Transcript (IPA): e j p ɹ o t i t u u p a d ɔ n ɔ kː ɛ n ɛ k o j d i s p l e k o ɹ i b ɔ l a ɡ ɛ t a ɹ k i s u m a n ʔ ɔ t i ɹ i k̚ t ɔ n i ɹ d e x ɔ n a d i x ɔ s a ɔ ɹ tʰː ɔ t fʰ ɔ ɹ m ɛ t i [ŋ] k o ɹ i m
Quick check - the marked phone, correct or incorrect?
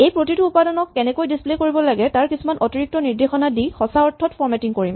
correct